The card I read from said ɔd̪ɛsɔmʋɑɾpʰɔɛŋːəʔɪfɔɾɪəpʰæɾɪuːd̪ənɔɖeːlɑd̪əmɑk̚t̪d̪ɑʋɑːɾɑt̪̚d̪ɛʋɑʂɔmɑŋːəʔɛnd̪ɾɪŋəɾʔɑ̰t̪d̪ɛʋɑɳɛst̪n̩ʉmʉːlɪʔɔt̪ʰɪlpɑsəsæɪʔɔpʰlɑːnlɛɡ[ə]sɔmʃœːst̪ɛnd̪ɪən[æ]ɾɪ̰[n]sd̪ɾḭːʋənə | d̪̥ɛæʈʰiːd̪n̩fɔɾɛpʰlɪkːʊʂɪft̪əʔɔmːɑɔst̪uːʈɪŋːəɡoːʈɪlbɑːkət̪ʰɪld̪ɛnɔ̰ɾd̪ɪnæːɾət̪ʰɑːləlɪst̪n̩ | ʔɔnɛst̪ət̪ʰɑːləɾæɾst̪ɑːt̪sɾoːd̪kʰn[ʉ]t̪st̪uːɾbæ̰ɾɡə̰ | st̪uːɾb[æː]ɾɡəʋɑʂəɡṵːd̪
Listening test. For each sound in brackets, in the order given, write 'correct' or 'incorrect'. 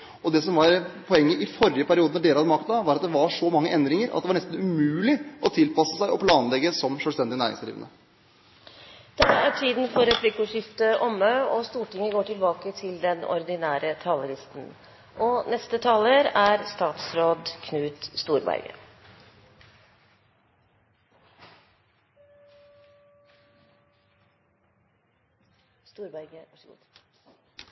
correct, incorrect: æː, incorrect: ŋ, incorrect: ʉː, incorrect: æ

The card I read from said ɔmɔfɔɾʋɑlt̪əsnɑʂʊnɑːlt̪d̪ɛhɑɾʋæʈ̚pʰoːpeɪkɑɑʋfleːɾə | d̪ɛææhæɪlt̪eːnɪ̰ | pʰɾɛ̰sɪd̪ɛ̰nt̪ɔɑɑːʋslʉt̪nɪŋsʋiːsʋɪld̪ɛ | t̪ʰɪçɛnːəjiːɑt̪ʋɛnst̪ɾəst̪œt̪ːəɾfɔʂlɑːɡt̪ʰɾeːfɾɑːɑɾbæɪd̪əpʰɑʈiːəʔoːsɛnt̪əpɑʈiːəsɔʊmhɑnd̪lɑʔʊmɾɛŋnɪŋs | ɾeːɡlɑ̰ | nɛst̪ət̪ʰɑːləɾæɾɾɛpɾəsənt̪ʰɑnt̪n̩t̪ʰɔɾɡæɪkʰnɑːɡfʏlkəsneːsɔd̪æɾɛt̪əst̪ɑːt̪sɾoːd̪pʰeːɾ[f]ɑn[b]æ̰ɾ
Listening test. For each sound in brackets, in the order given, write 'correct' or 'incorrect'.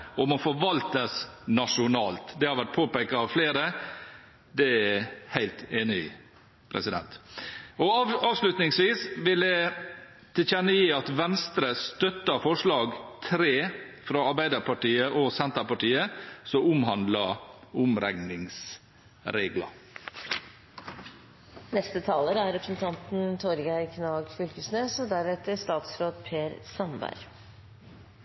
incorrect: s, correct

